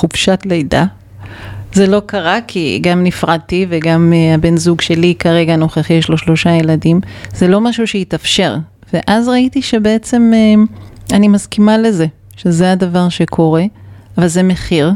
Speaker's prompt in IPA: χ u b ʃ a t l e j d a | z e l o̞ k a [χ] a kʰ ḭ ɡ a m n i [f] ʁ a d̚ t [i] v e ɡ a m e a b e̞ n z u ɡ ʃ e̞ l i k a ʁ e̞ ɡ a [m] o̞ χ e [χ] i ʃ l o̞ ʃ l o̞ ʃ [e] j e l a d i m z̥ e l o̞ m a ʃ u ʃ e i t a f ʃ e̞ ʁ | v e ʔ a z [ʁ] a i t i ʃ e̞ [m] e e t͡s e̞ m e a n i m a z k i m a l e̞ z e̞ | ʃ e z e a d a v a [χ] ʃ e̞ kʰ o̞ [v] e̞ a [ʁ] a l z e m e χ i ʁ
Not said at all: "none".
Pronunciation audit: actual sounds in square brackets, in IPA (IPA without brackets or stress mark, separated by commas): ʁ, f, i, n, χ, a, ʁ, b, ʁ, ʁ, v